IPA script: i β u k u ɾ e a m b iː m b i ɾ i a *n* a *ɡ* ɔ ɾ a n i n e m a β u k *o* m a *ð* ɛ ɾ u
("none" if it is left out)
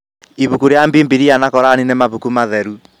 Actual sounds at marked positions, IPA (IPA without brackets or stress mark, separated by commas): n, k, u, ð